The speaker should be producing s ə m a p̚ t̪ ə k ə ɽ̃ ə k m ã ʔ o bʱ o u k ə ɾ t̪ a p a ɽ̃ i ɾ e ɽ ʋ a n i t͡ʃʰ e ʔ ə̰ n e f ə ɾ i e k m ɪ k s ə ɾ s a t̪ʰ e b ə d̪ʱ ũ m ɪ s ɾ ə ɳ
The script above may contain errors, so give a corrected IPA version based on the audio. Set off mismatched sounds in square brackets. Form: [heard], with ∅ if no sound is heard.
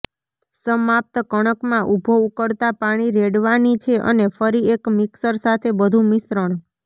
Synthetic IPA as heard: s ə m a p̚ t̪ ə k ə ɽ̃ ə k m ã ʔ [u] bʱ o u k ə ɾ t̪ a p a ɽ̃ i ɾ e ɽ ʋ a n i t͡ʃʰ e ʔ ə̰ n e f ə ɾ i e k m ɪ k s ə ɾ s a t̪ʰ e b ə d̪ʱ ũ m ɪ s ɾ ə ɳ

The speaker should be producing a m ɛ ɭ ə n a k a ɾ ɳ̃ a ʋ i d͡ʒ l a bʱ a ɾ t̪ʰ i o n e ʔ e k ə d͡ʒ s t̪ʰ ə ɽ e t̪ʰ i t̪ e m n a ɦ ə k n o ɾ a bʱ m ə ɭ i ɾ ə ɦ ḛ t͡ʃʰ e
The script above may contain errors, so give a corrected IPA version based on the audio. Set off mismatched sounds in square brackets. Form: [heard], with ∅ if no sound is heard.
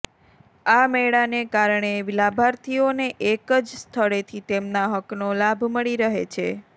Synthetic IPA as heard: a m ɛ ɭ [a] n [e] k a ɾ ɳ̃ [e] ʋ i [∅] l a bʱ a ɾ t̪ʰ i o n e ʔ e k ə d͡ʒ s t̪ʰ ə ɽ e t̪ʰ i t̪ e m n a ɦ ə k n o [l] a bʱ m ə ɭ i ɾ ə ɦ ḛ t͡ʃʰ e

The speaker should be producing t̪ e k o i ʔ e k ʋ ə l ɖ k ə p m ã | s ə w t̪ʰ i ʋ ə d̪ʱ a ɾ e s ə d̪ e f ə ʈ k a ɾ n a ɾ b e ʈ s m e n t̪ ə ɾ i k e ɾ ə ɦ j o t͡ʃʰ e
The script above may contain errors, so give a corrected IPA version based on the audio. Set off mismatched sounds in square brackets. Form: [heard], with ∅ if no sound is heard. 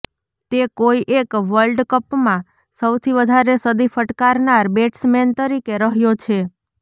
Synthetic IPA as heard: t̪ e k o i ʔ e k ʋ ə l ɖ k ə p m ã | s ə w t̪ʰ i ʋ ə d̪ʱ a ɾ e s ə d̪ [i] f ə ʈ k a ɾ n a ɾ b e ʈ s m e n t̪ ə ɾ i k e ɾ ə ɦ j o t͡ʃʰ e

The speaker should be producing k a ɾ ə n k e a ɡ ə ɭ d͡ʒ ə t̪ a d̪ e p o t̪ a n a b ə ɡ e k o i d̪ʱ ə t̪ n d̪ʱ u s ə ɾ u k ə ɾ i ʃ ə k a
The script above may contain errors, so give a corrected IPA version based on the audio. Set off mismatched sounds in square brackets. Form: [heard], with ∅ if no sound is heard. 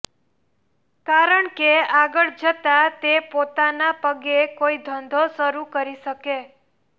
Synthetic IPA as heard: k a ɾ ə [ɳ] k e a ɡ ə ɭ d͡ʒ ə t̪ a [t̪] e p o t̪ a n a [p] ə ɡ e k o i d̪ʱ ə [∅] n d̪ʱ [o] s ə ɾ u k ə ɾ i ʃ ə k [e]

